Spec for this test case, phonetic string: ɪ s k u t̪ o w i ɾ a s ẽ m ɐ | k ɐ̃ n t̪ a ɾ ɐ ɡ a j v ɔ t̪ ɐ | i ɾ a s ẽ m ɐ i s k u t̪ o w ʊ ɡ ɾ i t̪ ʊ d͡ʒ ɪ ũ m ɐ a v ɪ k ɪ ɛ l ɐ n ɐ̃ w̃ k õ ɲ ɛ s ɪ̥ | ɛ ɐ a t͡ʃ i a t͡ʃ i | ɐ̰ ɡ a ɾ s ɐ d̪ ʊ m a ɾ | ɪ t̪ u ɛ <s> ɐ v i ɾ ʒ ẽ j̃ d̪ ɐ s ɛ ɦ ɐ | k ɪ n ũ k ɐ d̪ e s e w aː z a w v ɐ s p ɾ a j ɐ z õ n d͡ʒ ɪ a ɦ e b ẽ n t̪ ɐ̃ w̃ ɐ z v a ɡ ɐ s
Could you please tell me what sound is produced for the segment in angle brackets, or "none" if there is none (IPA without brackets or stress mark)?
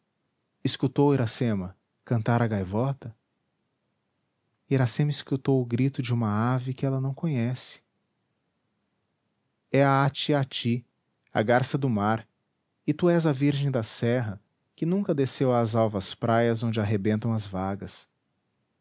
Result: z